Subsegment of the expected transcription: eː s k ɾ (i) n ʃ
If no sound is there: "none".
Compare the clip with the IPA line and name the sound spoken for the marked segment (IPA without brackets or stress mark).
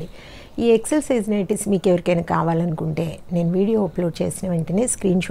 iː